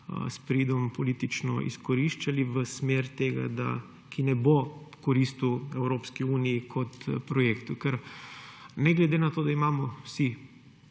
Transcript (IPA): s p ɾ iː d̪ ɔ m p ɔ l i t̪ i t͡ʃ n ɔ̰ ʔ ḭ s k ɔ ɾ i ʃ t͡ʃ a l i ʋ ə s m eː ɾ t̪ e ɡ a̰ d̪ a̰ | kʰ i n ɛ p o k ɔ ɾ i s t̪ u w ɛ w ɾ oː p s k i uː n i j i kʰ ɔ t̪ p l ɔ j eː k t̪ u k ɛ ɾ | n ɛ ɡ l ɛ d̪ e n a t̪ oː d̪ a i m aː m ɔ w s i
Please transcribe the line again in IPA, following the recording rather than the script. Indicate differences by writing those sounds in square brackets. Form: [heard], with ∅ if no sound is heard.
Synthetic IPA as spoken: s p ɾ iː d̪ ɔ m p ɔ l i t̪ i t͡ʃ n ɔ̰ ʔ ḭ s k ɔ ɾ i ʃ t͡ʃ a l i ʋ ə s m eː ɾ t̪ e ɡ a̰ d̪ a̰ | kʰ i n ɛ [b] o k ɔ ɾ i s t̪ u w ɛ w ɾ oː p s k i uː n i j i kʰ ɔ t̪ p [ɾ] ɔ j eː k t̪ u k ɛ ɾ | n ɛ ɡ l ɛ d̪ e n a t̪ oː d̪ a i m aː m ɔ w s i